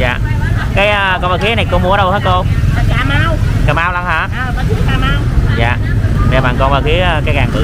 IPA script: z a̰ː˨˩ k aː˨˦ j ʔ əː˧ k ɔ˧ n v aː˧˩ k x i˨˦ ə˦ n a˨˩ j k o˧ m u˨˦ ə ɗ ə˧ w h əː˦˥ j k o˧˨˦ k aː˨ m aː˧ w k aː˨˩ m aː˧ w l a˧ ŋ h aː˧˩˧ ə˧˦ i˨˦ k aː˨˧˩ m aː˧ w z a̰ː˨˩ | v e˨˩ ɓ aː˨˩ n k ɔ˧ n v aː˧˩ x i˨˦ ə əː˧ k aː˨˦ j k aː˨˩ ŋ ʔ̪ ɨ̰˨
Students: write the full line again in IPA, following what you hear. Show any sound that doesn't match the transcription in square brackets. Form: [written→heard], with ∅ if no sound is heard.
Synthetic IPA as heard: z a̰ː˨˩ k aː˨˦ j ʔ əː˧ k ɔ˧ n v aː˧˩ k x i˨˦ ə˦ n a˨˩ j k o˧ m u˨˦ ə ɗ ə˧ w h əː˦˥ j k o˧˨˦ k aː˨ m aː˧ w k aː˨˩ m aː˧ w l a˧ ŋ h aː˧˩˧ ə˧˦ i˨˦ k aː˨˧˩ m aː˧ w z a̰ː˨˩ | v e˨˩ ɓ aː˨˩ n k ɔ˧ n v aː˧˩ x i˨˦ ə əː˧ k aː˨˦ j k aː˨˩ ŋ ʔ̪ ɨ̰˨